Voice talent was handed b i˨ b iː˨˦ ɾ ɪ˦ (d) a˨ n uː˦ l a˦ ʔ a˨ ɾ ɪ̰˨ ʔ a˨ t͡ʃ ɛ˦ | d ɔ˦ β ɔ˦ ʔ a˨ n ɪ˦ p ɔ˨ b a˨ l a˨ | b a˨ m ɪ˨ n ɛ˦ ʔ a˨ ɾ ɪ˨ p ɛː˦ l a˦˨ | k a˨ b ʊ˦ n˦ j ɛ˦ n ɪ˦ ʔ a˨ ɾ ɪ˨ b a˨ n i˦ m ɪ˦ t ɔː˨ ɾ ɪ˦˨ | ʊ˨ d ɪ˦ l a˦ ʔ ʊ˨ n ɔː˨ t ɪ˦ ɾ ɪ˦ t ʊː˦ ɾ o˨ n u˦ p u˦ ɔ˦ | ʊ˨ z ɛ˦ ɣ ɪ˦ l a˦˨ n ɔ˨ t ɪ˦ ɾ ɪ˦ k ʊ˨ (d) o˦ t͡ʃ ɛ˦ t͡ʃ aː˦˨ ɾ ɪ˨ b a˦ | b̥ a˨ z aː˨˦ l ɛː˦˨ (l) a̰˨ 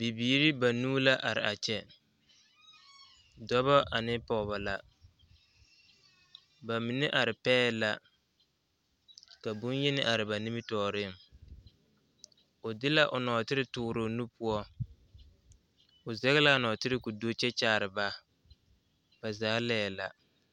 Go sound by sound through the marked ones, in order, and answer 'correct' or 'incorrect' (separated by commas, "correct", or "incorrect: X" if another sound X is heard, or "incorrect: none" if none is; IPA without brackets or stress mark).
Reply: incorrect: b, correct, correct